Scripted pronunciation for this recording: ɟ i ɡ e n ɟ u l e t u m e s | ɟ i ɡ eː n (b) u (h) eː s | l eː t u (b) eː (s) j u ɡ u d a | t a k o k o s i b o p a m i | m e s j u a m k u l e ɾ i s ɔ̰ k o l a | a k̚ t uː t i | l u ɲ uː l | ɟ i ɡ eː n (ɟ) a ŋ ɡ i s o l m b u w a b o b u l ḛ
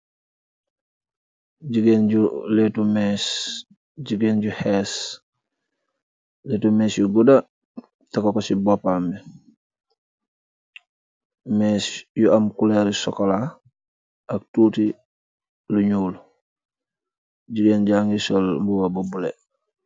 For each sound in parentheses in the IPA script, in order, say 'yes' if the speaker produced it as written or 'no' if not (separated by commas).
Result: no, yes, no, yes, yes